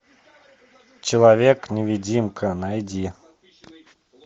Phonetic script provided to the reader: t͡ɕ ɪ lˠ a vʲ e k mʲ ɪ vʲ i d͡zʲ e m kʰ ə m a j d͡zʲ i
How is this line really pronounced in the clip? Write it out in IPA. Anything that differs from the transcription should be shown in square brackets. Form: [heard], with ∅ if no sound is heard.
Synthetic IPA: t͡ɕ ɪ lˠ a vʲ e k [nʲ] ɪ vʲ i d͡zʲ [i] m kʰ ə [n] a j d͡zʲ i

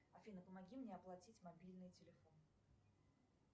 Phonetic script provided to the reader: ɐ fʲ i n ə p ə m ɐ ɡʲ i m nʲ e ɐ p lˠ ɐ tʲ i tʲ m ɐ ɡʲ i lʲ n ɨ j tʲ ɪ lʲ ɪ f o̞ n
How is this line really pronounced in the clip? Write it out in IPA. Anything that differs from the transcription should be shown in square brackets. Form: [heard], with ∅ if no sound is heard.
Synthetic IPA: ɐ fʲ i n ə p ə m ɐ ɡʲ i m nʲ e ɐ p lˠ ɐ tʲ i tʲ m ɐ [bʲ] i lʲ n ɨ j tʲ ɪ lʲ ɪ f o̞ n

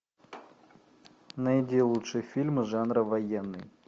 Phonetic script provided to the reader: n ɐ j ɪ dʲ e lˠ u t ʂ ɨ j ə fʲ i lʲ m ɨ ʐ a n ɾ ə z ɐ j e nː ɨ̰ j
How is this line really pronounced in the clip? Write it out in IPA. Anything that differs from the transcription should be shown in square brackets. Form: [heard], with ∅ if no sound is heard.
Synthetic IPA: n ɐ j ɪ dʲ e lˠ u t ʂ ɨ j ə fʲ i lʲ m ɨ ʐ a n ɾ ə [v] ɐ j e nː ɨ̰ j

